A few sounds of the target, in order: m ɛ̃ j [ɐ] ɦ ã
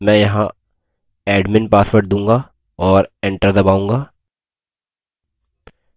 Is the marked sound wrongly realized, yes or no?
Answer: no